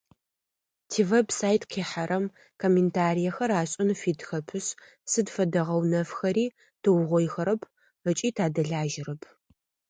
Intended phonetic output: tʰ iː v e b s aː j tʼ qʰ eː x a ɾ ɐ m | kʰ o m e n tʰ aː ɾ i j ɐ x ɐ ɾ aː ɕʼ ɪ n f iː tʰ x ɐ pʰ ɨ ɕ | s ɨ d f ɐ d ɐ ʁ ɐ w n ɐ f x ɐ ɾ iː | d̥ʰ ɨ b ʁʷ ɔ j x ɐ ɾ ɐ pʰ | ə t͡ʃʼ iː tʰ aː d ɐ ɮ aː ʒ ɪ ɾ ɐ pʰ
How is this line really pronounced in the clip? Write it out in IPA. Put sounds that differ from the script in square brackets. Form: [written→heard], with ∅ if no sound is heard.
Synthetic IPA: tʰ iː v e b s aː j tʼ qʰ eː [x→ħ] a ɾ ɐ m | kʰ o m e n tʰ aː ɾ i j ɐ x ɐ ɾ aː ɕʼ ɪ n f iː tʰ x ɐ pʰ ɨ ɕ | s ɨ d f ɐ d ɐ ʁ ɐ w n ɐ f x ɐ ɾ iː | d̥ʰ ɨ [b→w] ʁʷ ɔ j x ɐ ɾ ɐ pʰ | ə t͡ʃʼ iː tʰ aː d ɐ ɮ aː ʒ ɪ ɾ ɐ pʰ